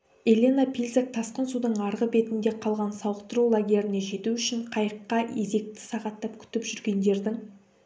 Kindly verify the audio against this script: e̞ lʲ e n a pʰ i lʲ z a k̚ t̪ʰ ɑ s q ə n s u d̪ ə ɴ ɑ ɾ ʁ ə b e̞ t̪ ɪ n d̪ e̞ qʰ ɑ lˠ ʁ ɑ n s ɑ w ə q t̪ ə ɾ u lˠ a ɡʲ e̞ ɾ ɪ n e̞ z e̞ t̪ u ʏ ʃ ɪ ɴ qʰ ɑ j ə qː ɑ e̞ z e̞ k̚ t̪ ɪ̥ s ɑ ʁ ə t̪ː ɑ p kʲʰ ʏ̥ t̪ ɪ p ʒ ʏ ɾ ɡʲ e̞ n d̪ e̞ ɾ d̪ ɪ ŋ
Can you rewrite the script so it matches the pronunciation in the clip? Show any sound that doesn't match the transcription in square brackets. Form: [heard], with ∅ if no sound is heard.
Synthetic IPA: e̞ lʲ e n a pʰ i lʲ z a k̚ t̪ʰ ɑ s q ə n s u d̪ ə ɴ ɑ ɾ ʁ ə b e̞ t̪ ɪ n d̪ e̞ qʰ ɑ lˠ ʁ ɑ n s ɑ w ə q t̪ ə ɾ u lˠ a ɡʲ e̞ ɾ ɪ n e̞ [ʒ] e̞ t̪ u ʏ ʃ ɪ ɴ qʰ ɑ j ə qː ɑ e̞ z e̞ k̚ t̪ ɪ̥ s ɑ ʁ [ɑ] t̪ː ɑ p kʲʰ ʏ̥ t̪ ɪ p ʒ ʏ ɾ ɡʲ e̞ n d̪ e̞ ɾ d̪ ɪ ŋ